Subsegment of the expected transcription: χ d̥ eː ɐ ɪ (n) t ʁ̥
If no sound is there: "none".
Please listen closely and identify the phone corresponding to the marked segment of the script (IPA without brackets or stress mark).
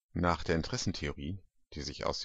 n